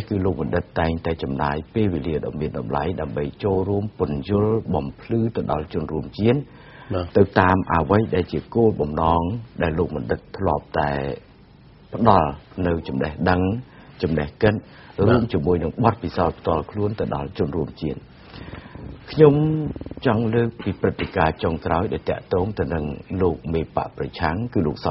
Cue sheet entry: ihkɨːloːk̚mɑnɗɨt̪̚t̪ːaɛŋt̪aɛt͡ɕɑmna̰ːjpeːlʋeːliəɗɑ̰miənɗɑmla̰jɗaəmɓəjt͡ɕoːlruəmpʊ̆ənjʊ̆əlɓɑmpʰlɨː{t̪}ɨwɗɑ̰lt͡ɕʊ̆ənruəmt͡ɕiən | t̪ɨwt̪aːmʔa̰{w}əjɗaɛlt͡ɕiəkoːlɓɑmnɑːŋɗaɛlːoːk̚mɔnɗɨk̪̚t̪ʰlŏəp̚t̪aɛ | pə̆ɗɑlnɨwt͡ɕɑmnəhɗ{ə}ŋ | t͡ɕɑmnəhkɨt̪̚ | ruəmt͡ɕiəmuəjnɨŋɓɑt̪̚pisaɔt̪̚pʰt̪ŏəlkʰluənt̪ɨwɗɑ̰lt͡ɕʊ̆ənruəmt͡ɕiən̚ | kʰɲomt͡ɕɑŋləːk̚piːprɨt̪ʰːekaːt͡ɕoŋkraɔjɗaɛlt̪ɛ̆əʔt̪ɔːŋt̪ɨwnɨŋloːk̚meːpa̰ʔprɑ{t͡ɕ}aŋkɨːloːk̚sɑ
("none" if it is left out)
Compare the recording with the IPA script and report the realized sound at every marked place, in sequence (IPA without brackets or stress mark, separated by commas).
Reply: t̪, ʋ, ə, t͡ɕʰ